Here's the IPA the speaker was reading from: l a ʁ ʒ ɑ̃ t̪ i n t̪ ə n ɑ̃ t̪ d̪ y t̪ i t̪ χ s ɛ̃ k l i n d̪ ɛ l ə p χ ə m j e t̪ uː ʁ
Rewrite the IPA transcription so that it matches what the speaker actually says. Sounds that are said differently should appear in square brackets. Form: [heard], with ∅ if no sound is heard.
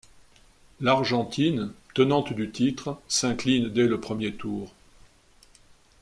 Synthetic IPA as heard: l a ʁ ʒ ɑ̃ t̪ i n t̪ ə n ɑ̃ t̪ d̪ y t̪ i t̪ χ s ɛ̃ k l i n d̪ ɛ l ə p χ ə m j e t̪ uː ʁ

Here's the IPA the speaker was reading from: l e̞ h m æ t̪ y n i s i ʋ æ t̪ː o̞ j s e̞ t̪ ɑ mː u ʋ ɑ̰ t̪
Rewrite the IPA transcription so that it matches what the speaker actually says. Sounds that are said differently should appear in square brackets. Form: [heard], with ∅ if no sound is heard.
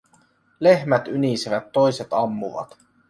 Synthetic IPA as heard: l e̞ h m æ t̪ y n i s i ʋ æ t̪ː o̞ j s e̞ t̪ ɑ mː u ʋ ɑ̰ t̪

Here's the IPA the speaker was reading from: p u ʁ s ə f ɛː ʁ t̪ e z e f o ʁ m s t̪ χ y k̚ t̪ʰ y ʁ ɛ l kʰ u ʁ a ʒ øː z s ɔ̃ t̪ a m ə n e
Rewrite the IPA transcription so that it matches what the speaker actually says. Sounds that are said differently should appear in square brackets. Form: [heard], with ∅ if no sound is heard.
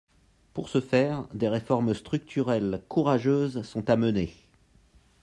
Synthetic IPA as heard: p u ʁ s ə f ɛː ʁ [d̪] e [ʁ] e f [ɔ] ʁ m s t̪ χ y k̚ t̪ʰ y ʁ ɛ l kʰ u ʁ a ʒ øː z s ɔ̃ t̪ a m ə n e

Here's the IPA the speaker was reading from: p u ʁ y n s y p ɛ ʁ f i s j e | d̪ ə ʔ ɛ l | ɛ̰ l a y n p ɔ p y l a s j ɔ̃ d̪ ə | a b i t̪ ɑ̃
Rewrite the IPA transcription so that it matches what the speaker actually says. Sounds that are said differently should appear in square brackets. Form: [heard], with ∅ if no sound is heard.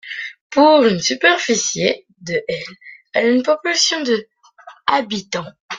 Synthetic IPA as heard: p u ʁ y n s y p ɛ ʁ f i s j e | d̪ ə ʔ ɛ l | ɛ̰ l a y n p ɔ p y l a s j ɔ̃ d̪ ə | a b i t̪ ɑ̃

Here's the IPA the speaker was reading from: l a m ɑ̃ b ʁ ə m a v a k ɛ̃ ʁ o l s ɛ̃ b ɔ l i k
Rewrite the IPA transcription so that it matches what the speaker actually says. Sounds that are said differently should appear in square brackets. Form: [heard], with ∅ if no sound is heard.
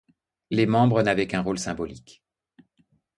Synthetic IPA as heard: l [e] m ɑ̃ b ʁ ə [n] a v [ɛ] k ɛ̃ ʁ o l s ɛ̃ b ɔ l i k

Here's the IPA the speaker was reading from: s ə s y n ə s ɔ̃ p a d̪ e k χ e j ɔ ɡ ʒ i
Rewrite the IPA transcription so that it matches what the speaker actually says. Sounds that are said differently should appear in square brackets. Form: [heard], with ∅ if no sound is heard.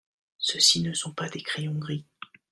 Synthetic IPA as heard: s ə s [i] n ə s ɔ̃ p a d̪ e k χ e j [ɔ̃] ɡ [ʁ] i

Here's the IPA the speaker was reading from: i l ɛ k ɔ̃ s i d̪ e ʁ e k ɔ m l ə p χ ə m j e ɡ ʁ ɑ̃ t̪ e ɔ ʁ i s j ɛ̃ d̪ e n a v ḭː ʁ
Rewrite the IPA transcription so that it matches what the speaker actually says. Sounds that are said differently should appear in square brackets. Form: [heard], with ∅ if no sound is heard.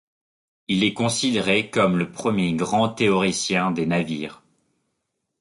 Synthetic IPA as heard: i l ɛ k ɔ̃ s i d̪ e ʁ e k ɔ m l ə p χ ə m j e ɡ ʁ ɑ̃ t̪ e ɔ ʁ i s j ɛ̃ d̪ e n a v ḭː ʁ

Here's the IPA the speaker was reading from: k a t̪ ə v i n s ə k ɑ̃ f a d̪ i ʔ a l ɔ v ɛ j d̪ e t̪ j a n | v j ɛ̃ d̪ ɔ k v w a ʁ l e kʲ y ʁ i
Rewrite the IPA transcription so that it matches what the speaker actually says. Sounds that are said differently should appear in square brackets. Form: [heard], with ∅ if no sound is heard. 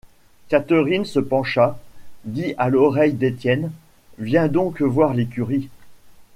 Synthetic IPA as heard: k a t̪ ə [ʁ] i n s ə [p] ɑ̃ [ʃ] a d̪ i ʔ a l ɔ [ʁ] ɛ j d̪ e t̪ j [ɛ] n | v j ɛ̃ d̪ [ɔ̃] k v w a ʁ l e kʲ y ʁ i

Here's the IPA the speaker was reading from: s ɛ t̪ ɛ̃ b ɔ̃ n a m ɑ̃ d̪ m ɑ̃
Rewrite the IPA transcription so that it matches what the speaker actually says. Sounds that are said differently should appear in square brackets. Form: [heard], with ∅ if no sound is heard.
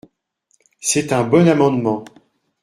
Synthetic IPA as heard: s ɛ t̪ ɛ̃ b [ɔ] n a m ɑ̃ d̪ m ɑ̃

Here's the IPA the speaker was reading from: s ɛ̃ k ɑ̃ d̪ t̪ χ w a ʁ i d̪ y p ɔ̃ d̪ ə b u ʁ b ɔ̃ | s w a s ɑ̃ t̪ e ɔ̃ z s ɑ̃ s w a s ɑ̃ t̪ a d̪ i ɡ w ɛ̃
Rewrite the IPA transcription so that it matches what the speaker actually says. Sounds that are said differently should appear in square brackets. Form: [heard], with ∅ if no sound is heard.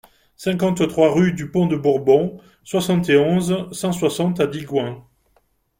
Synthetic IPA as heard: s ɛ̃ k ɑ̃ [t̪] t̪ χ w a ʁ [y] d̪ y p ɔ̃ d̪ ə b u ʁ b ɔ̃ | s w a s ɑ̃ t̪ e ɔ̃ z s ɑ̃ s w a s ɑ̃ t̪ a d̪ i ɡ w ɛ̃

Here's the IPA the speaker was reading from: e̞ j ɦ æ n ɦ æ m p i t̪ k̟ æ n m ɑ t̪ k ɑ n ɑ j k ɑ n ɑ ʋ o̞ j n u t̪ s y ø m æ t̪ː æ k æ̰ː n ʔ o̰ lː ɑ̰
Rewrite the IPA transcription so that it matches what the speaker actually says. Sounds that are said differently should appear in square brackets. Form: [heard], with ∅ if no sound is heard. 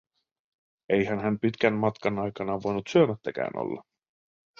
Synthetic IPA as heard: e̞ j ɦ æ n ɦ æ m p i t̪ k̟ æ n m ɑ t̪ k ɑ n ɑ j k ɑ n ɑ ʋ o̞ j n u t̪ s y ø m æ t̪ː æ k æ̰ː n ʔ o̰ lː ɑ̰

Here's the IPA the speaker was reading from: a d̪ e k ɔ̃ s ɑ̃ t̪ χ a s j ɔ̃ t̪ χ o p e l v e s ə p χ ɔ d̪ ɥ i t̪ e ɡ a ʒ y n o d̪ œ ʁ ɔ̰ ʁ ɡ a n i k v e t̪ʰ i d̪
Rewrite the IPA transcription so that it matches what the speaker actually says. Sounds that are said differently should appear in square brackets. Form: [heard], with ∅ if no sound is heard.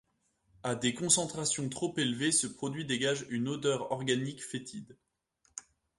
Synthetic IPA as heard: a d̪ e k ɔ̃ s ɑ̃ t̪ χ a s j ɔ̃ t̪ χ o p e l v e s ə p χ ɔ d̪ ɥ i [d̪] e ɡ a ʒ y n o d̪ œ ʁ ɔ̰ ʁ ɡ a n i k [f] e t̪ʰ i d̪

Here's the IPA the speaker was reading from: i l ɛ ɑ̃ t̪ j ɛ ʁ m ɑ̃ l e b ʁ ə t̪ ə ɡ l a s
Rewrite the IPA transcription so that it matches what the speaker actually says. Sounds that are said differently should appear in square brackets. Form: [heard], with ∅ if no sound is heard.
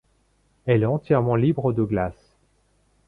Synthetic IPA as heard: [ɛ] l ɛ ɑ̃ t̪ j ɛ ʁ m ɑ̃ l [i] b ʁ ə [d̪] ə ɡ l a s

